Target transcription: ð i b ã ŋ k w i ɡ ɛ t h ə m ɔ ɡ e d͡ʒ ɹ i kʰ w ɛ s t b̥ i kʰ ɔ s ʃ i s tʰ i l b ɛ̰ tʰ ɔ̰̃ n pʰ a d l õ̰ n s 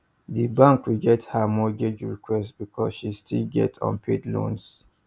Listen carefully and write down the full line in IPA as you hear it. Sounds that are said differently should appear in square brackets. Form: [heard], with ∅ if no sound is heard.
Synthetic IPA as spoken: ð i b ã ŋ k w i ɡ ɛ t h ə m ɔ ɡ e d͡ʒ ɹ i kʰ w ɛ s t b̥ i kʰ ɔ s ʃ i s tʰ i l [ɡ] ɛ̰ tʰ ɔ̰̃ n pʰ [e] d l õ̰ n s